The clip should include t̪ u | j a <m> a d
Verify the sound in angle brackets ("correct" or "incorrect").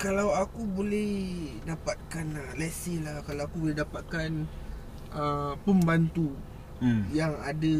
incorrect